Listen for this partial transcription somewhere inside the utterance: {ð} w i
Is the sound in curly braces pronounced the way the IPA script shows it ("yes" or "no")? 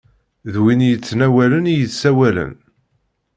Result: yes